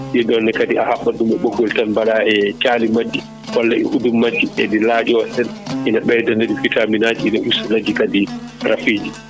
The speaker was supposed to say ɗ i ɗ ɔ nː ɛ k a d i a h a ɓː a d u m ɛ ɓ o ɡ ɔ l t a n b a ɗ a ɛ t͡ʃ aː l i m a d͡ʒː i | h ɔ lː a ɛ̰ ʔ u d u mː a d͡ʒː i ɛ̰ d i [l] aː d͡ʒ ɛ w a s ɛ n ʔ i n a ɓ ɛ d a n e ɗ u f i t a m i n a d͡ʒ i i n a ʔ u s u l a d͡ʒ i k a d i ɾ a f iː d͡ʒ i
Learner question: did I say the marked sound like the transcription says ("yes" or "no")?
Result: yes